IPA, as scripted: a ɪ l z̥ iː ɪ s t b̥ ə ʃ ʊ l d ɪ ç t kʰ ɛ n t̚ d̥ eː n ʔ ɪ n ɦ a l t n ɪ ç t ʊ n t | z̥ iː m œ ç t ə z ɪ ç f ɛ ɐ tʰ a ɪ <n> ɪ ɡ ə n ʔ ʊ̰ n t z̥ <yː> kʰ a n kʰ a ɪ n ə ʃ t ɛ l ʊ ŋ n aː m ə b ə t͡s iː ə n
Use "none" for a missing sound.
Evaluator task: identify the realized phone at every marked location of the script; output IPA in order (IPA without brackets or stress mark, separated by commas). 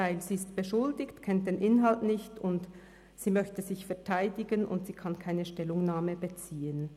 d, iː